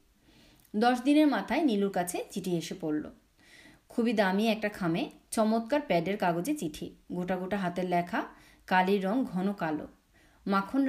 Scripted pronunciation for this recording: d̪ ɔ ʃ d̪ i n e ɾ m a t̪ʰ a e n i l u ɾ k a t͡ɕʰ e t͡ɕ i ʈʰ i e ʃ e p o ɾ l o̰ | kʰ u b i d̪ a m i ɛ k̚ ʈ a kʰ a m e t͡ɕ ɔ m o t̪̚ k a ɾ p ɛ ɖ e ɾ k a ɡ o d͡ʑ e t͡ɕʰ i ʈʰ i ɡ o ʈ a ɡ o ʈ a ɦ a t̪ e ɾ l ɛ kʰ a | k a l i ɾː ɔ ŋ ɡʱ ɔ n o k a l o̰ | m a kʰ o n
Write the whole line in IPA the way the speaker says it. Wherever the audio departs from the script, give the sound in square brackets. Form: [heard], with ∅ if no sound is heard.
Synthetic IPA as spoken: d̪ ɔ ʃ d̪ i n e ɾ m a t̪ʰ a e n i l u ɾ k a t͡ɕʰ e t͡ɕ i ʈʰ i e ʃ e p o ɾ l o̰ | kʰ u b i d̪ a m i ɛ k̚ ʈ a kʰ a m e t͡ɕ ɔ m o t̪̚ k a ɾ p ɛ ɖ e ɾ k a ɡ o d͡ʑ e [t͡ɕ] i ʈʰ i ɡ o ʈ a ɡ o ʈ a ɦ a t̪ e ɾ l ɛ kʰ a | k a l i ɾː ɔ ŋ ɡʱ ɔ n o k a l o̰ | m a kʰ o n